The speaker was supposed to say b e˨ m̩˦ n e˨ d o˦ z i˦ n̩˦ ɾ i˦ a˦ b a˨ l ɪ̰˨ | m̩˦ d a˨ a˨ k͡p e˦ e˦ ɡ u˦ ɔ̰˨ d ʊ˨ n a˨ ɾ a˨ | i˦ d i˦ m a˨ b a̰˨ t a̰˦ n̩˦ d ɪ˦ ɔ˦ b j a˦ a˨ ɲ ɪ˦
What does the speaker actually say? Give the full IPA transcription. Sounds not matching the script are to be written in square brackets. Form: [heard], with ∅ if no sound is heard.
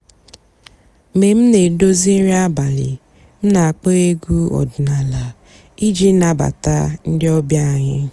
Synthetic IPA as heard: [m] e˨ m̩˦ n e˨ d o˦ z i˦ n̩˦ ɾ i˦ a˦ b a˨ l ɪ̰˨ | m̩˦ [n] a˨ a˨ k͡p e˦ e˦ ɡ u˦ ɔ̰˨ d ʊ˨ n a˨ [l] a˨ | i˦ [d͡ʒ] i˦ [n] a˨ b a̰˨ t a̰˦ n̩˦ d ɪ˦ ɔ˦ b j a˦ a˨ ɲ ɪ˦